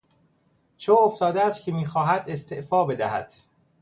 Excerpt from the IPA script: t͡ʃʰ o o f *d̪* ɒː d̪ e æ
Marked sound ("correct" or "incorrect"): incorrect